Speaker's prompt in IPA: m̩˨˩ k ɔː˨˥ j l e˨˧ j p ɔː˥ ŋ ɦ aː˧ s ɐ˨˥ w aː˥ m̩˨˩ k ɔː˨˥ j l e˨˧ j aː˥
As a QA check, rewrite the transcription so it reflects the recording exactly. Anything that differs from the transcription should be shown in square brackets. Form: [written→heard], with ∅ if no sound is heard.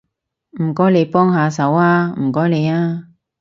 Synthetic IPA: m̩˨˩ k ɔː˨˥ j l e˨˧ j p ɔː˥ ŋ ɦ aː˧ s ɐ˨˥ w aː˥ m̩˨˩ k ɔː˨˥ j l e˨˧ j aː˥